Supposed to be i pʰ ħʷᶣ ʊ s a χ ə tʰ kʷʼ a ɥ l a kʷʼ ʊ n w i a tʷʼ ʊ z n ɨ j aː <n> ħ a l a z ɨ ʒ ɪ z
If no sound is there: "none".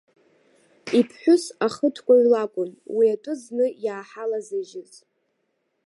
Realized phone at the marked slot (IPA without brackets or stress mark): none